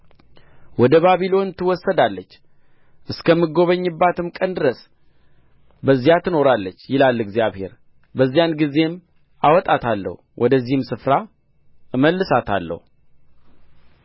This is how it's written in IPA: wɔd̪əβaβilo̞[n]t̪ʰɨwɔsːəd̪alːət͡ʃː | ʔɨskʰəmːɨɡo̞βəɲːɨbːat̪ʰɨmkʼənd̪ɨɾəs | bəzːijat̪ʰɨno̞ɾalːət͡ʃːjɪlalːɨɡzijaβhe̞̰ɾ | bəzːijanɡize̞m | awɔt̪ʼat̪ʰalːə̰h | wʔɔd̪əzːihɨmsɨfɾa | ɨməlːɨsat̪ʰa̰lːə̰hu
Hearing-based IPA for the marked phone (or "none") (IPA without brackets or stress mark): n